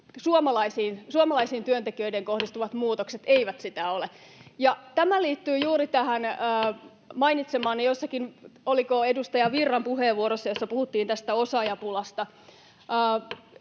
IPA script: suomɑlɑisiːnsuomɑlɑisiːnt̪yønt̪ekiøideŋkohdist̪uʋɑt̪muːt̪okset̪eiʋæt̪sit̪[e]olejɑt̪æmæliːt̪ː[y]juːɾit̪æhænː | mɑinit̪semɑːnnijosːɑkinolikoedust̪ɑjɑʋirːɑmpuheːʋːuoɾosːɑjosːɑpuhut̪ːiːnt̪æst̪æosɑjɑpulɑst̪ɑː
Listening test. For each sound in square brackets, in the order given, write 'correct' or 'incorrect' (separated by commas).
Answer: incorrect, incorrect